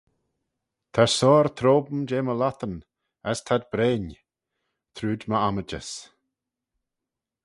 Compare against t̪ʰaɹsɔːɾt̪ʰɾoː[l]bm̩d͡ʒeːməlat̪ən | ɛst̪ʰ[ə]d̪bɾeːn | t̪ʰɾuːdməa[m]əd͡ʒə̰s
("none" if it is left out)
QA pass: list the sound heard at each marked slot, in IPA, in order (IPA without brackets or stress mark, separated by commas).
none, a, m